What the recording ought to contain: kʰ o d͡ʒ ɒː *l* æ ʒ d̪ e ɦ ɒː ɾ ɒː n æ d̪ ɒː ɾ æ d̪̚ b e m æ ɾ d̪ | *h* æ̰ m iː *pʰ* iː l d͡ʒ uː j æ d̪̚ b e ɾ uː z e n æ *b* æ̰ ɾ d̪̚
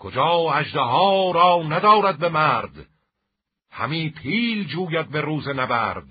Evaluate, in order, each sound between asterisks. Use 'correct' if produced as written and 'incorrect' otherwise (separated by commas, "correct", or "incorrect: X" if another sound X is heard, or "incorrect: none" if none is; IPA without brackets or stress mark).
incorrect: none, correct, correct, correct